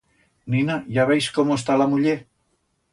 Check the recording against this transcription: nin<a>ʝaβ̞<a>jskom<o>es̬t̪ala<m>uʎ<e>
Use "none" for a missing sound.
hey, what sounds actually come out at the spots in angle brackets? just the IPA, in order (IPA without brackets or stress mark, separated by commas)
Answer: a, e, o, m, e